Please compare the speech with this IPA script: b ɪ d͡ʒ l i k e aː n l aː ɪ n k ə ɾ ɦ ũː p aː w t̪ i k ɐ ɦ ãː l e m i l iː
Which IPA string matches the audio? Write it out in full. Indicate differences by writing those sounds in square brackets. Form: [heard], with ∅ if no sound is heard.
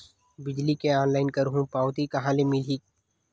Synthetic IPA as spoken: b ɪ d͡ʒ l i k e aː n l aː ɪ n k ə ɾ ɦ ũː p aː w t̪ i k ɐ ɦ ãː l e m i l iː